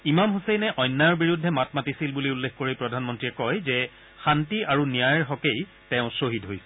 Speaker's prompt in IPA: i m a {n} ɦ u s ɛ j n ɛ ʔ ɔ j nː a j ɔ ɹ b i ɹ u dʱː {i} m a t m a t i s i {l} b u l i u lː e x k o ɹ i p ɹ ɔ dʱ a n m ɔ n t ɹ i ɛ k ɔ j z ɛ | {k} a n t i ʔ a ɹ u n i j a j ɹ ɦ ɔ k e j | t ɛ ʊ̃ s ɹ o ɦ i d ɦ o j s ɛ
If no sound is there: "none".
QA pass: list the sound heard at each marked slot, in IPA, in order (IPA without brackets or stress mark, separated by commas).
m, ɛ, l, x